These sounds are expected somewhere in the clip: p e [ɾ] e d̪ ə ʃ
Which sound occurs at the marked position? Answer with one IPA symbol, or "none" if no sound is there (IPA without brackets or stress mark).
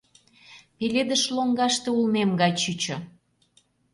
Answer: l